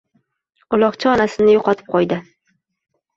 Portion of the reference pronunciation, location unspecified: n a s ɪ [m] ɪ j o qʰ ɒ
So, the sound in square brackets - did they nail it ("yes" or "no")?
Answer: no